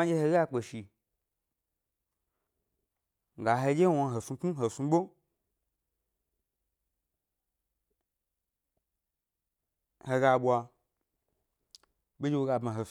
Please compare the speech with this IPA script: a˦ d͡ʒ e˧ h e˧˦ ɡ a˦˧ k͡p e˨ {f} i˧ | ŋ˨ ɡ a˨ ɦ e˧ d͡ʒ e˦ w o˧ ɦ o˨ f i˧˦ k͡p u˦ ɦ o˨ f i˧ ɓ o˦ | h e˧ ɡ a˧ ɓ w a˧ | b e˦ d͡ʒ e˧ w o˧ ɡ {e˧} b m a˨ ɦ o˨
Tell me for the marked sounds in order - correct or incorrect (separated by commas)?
incorrect, incorrect